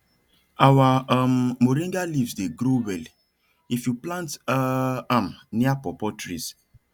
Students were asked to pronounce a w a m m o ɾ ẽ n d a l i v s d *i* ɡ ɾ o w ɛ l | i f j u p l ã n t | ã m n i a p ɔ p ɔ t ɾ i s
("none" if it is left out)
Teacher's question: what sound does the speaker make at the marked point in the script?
e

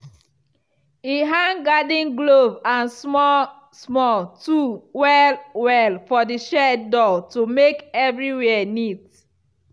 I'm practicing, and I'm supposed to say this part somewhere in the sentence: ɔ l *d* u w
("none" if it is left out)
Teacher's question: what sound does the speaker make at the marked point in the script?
t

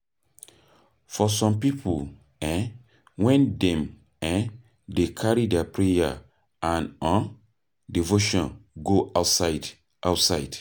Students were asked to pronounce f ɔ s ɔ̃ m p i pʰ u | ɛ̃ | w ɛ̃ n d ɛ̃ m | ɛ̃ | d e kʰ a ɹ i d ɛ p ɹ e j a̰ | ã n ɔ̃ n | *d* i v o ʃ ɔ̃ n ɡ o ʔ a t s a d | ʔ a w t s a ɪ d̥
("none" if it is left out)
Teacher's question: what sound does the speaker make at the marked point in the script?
d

